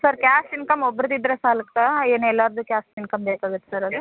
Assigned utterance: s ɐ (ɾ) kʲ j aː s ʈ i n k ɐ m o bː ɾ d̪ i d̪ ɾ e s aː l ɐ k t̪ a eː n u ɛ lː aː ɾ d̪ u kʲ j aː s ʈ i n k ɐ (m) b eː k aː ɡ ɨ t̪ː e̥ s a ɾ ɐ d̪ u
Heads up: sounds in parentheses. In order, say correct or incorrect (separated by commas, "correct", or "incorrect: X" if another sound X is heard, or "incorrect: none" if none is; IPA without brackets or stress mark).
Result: correct, correct